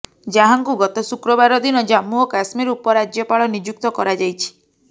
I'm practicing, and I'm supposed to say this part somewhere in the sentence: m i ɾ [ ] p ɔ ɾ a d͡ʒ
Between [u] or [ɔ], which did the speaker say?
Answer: u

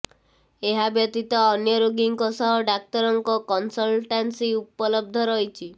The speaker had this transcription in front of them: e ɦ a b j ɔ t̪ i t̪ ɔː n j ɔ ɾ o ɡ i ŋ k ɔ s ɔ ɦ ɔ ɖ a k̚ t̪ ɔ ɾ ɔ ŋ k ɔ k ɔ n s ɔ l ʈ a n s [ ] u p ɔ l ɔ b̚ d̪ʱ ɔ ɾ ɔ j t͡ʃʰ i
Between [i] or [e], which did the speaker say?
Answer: i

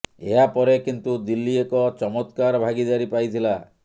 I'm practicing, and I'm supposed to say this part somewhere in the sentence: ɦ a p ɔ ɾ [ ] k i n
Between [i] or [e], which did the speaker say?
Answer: e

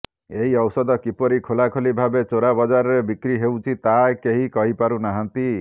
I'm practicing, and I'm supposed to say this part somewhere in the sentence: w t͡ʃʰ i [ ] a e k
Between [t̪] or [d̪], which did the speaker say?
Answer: t̪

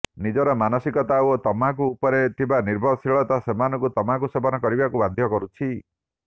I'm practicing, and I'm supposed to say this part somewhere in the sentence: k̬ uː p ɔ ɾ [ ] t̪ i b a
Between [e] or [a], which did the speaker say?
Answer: e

